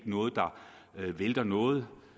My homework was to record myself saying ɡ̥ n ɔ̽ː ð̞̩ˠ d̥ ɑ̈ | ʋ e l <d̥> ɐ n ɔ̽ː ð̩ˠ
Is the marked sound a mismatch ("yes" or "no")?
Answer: no